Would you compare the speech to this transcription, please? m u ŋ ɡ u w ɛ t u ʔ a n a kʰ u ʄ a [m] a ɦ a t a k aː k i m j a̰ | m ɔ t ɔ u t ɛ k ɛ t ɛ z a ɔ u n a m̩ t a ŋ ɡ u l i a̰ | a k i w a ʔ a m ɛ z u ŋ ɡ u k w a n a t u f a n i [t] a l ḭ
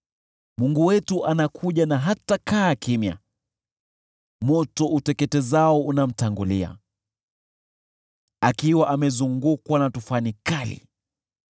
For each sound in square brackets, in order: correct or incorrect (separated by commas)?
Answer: incorrect, incorrect